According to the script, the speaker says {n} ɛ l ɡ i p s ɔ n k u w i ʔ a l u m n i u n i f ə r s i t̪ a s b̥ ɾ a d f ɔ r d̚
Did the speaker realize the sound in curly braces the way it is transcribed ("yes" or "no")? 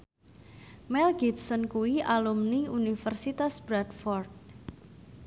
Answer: no